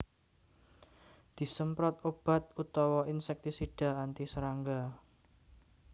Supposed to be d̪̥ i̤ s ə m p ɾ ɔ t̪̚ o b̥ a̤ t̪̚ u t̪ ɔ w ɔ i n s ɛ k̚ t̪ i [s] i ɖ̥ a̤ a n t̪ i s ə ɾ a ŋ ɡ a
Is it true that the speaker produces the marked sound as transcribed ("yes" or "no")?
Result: yes